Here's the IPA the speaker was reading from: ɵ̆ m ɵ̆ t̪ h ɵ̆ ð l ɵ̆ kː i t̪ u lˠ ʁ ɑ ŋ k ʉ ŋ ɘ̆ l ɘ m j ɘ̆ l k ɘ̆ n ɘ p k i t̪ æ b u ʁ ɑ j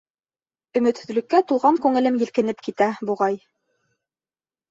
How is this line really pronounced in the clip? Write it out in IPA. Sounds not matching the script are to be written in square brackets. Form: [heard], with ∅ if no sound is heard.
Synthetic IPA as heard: ɵ̆ m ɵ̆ t̪ h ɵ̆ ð l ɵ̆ kː [æ] t̪ u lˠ ʁ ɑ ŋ k ʉ ŋ ɘ̆ l ɘ m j ɘ̆ l k ɘ̆ n ɘ p k i t̪ æ b u ʁ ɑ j